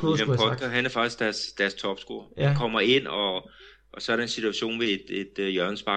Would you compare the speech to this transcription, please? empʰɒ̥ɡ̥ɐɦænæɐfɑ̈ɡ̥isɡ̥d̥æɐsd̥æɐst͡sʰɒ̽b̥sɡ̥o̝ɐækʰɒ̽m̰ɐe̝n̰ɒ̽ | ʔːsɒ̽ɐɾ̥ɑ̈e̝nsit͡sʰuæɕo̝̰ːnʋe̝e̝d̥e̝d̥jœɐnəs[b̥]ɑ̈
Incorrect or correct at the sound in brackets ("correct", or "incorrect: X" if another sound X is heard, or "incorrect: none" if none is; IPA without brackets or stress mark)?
correct